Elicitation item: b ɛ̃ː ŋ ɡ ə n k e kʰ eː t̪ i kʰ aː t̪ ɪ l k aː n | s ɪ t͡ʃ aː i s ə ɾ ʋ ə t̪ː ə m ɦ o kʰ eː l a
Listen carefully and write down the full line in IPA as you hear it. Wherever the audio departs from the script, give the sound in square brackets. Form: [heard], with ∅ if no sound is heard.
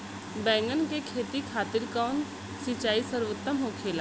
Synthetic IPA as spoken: b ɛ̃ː ŋ ɡ ə n k e kʰ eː t̪ i kʰ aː t̪ ɪ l k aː n | s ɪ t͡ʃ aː i s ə ɾ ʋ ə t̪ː ə m ɦ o kʰ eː l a